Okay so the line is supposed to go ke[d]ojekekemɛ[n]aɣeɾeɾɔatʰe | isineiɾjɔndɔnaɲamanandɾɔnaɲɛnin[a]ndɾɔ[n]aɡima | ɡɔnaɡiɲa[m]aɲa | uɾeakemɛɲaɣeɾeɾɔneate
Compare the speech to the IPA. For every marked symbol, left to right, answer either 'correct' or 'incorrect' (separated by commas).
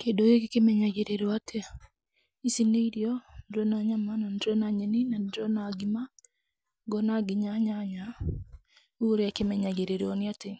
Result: correct, incorrect, correct, correct, incorrect